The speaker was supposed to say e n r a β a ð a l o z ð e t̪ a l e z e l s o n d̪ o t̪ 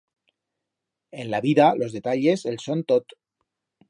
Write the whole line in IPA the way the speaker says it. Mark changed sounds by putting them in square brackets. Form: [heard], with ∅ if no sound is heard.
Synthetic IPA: e n [l] a β [i] ð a l o z ð e t̪ a [ʎ] e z e l s o n [t̪] o t̪